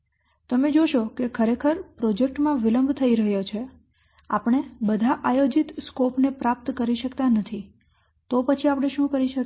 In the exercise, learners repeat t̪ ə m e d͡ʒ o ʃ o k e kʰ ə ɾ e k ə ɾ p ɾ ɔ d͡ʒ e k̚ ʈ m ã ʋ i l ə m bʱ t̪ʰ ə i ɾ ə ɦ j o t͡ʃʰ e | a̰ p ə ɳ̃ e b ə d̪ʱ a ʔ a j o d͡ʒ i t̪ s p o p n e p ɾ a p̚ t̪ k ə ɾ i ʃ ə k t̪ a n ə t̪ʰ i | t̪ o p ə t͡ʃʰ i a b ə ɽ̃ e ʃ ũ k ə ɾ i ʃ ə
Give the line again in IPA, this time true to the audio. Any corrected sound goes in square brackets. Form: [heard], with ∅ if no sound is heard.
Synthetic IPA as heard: t̪ ə m e d͡ʒ o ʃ o k e kʰ ə ɾ e [kʰ] ə ɾ p ɾ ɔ d͡ʒ e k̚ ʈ m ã ʋ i l ə m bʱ t̪ʰ ə i ɾ ə ɦ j o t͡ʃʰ e | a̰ p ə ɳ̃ e b ə d̪ʱ a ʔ a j o d͡ʒ i t̪ s [k] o p n e p ɾ a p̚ t̪ k ə ɾ i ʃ ə k t̪ a n ə t̪ʰ i | t̪ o p ə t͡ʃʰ i a [p] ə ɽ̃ e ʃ ũ k ə ɾ i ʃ ə

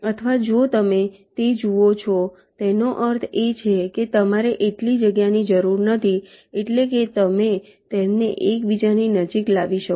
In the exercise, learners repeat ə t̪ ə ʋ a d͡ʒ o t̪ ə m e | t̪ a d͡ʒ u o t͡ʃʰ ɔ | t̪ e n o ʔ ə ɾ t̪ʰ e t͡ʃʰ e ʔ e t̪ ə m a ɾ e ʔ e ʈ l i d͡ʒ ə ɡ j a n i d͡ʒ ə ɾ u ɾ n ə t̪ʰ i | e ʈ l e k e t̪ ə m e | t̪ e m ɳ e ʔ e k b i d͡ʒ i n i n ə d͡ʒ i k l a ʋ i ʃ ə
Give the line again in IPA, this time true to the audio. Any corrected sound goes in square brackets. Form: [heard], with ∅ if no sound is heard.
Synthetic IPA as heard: ə [t̪ʰ] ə ʋ a d͡ʒ o t̪ ə m e | t̪ [e] d͡ʒ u o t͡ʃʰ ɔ | t̪ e n o ʔ ə ɾ t̪ʰ e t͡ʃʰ e [k] e t̪ ə m a ɾ e ʔ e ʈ l i d͡ʒ ə ɡ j a n i d͡ʒ ə ɾ u ɾ n ə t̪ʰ i | e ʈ l e k e t̪ ə m e | t̪ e m [n] e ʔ e k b i d͡ʒ [a] n i n ə d͡ʒ i k l a ʋ i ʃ ə

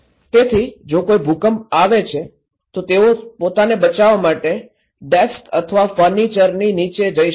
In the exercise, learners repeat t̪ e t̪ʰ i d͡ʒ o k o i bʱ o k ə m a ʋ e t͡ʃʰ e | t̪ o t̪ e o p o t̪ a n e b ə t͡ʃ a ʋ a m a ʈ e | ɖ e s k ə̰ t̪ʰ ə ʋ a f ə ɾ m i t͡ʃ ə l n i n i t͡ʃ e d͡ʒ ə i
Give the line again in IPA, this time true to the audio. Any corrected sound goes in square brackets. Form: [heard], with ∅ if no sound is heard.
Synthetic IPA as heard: t̪ e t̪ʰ i d͡ʒ o k o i bʱ [u] k ə m a ʋ e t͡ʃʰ e | t̪ o t̪ e o p o t̪ a n e b ə t͡ʃ a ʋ a m a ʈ e | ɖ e s k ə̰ t̪ʰ ə ʋ a f ə ɾ [n] i t͡ʃ ə [ɾ] n i n i t͡ʃ e d͡ʒ ə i

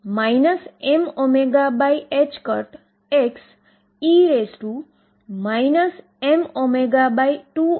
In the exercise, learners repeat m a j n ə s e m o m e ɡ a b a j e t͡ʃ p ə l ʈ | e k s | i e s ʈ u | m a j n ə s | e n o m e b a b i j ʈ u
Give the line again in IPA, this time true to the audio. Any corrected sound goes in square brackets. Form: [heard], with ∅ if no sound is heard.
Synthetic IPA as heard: m a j n ə s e m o m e ɡ a b a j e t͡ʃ [k] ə [ɾ] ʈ | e k s | i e s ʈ u | m a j n ə s | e [m] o m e [ɡ] a b [a] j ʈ u

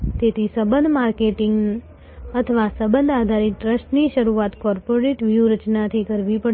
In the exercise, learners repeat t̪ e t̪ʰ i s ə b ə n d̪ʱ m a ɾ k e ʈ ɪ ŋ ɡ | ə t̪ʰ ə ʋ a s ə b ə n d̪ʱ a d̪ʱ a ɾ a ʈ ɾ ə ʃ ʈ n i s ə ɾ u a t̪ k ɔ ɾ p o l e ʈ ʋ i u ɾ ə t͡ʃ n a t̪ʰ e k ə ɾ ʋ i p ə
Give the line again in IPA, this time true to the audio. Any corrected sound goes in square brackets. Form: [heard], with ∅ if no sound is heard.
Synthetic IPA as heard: t̪ e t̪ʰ i s ə b ə n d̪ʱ m a ɾ k e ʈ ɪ ŋ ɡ | ə t̪ʰ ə ʋ a s ə b ə n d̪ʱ a d̪ʱ a ɾ [i] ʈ ɾ ə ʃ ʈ n i [ʃ] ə ɾ u a t̪ k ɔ ɾ p o [ɾ] e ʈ ʋ [j] u ɾ ə t͡ʃ n a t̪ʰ [i] k ə ɾ ʋ i p ə

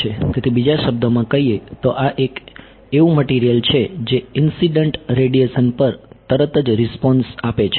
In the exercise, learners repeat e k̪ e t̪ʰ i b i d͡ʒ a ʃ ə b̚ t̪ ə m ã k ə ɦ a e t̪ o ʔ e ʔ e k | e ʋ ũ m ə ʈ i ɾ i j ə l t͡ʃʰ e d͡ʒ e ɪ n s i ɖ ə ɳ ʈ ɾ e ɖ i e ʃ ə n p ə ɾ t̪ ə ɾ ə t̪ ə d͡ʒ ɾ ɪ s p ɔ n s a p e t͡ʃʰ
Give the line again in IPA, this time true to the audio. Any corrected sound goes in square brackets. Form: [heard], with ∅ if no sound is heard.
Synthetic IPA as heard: e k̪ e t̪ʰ i b i d͡ʒ a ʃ ə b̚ [d̪] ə m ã k ə ɦ [i] e t̪ o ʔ [a] ʔ e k | e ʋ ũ m ə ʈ i ɾ i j ə l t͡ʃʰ e d͡ʒ e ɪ n s i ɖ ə ɳ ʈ ɾ e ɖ i e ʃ ə n p ə ɾ t̪ ə ɾ ə t̪ ə d͡ʒ ɾ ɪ s p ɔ n s a p e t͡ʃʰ

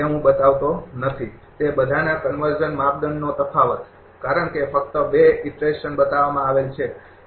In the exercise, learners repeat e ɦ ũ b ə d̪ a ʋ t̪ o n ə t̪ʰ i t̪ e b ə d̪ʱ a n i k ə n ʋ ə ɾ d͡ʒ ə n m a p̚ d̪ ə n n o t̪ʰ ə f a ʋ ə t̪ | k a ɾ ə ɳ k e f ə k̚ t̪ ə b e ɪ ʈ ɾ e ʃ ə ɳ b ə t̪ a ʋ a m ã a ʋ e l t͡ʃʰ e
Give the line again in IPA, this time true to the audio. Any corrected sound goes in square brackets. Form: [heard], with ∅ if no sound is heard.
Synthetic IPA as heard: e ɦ ũ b ə [t̪] a ʋ t̪ o n ə t̪ʰ i t̪ e b ə d̪ʱ a n [a] k ə n ʋ ə ɾ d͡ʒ ə n m a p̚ d̪ ə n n o [t̪] ə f a ʋ ə t̪ | k a ɾ ə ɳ k e f ə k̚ t̪ ə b e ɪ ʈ ɾ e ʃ ə [n] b ə t̪ a ʋ a m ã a ʋ e l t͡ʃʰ e

